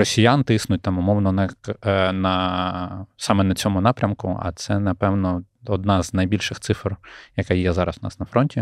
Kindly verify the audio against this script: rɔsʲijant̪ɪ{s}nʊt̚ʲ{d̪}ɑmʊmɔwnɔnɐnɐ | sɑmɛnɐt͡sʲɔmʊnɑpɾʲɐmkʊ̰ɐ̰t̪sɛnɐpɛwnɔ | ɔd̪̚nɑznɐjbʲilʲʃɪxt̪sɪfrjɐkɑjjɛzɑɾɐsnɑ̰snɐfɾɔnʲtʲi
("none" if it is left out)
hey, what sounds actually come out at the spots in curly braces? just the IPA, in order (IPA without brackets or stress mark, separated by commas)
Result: s, t̪